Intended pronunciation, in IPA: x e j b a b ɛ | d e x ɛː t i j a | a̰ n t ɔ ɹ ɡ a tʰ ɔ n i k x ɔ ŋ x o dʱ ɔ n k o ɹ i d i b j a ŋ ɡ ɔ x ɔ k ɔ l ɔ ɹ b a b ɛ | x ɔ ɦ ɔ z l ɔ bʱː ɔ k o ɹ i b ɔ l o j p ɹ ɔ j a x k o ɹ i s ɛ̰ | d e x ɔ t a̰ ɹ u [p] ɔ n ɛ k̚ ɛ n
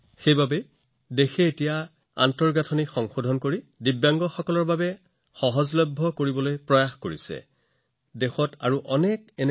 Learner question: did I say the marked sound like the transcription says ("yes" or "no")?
no